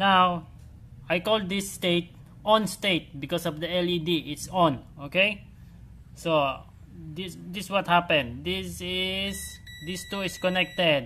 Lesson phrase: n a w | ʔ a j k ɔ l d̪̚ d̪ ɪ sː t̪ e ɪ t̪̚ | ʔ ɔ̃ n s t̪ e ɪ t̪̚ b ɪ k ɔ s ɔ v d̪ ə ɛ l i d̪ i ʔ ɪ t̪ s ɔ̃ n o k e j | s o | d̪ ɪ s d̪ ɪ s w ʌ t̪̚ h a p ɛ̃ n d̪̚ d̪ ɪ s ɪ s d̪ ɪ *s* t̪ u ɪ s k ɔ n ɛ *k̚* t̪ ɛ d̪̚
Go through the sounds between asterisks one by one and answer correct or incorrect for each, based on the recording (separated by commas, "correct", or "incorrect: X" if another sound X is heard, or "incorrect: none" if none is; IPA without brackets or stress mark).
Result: correct, correct